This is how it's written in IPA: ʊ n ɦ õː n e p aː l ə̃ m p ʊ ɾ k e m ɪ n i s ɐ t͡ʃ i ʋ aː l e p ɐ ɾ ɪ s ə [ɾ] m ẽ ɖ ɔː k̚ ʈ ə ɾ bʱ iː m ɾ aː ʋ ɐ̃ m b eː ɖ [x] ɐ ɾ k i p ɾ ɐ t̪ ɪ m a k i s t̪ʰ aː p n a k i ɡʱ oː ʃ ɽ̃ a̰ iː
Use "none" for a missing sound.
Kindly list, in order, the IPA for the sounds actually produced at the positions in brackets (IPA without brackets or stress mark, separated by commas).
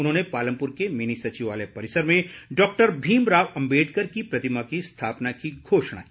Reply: ɾ, k